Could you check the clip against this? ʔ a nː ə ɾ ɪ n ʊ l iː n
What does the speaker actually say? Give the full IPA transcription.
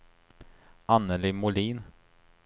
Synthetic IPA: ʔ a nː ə l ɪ m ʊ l iː n